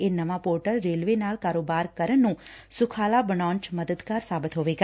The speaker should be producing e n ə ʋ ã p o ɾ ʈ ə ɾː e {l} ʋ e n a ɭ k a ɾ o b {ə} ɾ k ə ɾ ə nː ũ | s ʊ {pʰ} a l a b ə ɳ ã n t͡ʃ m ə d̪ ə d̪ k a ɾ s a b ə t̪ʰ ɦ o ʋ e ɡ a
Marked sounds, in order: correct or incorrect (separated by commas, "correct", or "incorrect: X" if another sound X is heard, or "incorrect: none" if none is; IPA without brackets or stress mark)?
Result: correct, incorrect: a, incorrect: kʰ